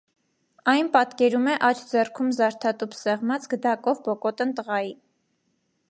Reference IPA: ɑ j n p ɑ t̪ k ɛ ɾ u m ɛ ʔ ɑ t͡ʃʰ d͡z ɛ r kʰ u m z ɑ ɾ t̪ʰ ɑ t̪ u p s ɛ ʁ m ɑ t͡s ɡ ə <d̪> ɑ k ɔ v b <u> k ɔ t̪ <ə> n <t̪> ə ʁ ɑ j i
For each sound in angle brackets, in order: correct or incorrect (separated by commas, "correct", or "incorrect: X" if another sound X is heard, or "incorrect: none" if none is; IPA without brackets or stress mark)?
correct, incorrect: ɔ, correct, correct